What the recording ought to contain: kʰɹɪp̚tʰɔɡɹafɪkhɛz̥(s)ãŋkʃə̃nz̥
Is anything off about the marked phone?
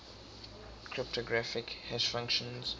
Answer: yes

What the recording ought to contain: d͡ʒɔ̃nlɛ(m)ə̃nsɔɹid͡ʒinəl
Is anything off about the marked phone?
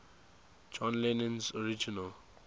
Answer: yes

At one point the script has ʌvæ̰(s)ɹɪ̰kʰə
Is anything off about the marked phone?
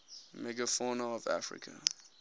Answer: yes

